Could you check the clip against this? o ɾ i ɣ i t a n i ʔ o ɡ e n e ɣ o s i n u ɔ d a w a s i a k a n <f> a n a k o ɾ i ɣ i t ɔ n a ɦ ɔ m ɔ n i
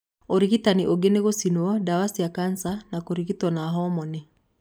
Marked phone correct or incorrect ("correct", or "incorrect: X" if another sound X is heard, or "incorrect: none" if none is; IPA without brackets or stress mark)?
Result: incorrect: s